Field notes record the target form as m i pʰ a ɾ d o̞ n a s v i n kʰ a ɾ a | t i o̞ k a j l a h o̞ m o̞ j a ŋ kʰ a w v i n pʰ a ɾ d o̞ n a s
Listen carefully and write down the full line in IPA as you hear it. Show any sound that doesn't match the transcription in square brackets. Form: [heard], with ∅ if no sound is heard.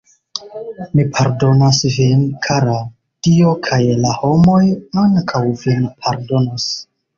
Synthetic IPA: m i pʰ a ɾ d o̞ n a s v i n kʰ a ɾ a | t i o̞ [kʰ] a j l a h o̞ m o̞ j a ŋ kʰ a w v i n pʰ a ɾ d o̞ n a s